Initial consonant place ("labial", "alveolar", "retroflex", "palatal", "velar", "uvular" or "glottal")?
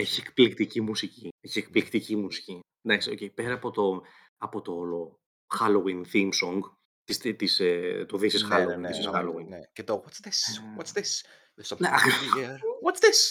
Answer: palatal